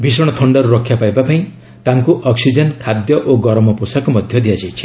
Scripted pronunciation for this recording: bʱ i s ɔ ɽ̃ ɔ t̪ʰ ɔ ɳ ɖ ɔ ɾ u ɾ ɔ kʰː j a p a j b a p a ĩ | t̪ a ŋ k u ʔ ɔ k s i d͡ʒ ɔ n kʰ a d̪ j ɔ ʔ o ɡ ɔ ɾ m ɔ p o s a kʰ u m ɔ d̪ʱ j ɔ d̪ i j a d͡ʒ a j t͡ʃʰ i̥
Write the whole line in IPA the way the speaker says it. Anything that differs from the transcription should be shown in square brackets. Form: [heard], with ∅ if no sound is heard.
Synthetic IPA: bʱ i s ɔ ɽ̃ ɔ t̪ʰ ɔ ɳ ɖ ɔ ɾ u ɾ ɔ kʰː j a p a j b a p a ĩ | t̪ a ŋ k u ʔ ɔ k s i d͡ʒ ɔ n kʰ a d̪ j ɔ ʔ o ɡ ɔ ɾ m ɔ p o s a [k] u m ɔ d̪ʱ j ɔ d̪ i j a d͡ʒ a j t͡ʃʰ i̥